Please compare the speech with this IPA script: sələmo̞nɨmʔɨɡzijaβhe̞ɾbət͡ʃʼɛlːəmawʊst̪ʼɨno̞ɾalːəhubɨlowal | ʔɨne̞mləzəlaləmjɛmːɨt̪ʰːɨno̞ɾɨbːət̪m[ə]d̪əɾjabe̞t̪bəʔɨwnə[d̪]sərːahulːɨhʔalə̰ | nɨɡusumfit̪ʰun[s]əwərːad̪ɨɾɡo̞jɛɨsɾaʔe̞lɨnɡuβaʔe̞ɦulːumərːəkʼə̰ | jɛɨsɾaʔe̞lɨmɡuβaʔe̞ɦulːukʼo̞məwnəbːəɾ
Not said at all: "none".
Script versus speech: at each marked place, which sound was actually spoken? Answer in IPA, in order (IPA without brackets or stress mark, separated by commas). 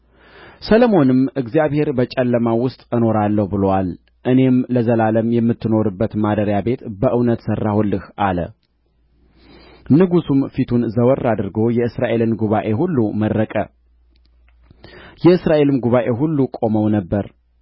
a, t̪, z